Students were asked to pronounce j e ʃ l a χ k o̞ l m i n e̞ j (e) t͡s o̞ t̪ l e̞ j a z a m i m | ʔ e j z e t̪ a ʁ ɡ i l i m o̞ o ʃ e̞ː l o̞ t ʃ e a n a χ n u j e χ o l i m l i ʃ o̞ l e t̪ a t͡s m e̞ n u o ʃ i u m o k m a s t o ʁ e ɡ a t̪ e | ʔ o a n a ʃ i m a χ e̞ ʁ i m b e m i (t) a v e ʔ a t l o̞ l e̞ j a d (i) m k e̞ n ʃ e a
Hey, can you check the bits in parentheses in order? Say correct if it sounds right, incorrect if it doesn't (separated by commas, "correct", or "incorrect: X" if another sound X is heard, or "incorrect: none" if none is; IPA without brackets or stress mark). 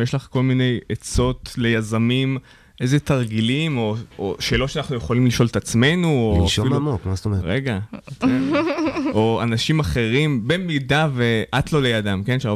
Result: correct, incorrect: d, incorrect: a